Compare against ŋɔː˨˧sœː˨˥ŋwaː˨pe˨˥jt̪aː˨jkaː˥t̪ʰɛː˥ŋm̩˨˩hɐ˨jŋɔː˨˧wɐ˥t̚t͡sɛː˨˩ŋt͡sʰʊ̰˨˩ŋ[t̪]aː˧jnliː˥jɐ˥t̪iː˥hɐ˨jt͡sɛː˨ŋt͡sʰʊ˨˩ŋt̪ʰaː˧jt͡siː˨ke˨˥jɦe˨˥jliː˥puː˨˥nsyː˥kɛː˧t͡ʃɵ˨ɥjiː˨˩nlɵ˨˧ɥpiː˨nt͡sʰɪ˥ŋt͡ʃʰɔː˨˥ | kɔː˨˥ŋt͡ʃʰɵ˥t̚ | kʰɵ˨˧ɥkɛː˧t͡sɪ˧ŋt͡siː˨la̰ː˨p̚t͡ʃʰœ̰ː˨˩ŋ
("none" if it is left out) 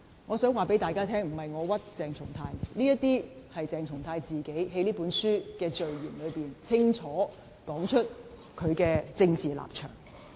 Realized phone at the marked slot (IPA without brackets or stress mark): t̪ʰ